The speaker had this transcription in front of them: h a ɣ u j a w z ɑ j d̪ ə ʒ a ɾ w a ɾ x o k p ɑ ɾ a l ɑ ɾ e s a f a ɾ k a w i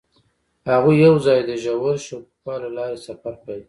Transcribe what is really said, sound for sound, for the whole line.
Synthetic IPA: h a ɣ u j a w z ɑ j d̪ ə ʒ a w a ɾ ʃ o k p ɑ l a l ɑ ɾ e s a f a ɾ k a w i